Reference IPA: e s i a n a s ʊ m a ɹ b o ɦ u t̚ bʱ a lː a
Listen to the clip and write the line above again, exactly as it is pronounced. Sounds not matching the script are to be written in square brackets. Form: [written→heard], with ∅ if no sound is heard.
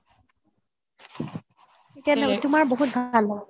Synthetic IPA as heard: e [s→t] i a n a [s→t] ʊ m a ɹ b o ɦ u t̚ bʱ a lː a